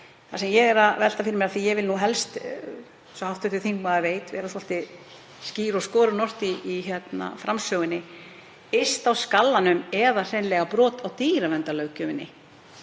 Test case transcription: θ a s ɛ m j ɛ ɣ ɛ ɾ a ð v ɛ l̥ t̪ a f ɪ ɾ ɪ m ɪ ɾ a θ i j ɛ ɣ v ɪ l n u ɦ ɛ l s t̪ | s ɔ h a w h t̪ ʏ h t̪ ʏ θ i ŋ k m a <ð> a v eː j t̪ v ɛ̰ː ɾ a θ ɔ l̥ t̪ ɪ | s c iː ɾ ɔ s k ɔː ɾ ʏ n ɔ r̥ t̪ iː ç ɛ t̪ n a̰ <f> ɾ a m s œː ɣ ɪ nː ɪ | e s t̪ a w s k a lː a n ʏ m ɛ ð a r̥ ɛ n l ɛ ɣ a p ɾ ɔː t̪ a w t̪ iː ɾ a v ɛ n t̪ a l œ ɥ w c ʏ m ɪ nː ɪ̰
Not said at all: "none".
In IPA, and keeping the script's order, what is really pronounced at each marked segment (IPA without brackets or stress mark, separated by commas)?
ð, f